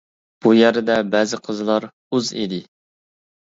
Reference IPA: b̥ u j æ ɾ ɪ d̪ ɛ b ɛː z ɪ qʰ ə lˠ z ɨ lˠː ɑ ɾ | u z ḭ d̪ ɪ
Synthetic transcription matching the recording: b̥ u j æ ɾ ɪ d̪ ɛ b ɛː z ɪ qʰ ə z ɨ lˠ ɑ ɾ | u z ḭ d̪ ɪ